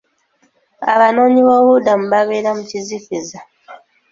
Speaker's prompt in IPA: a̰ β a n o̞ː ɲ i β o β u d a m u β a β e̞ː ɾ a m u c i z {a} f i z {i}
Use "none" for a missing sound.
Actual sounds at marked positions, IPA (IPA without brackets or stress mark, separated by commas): i, a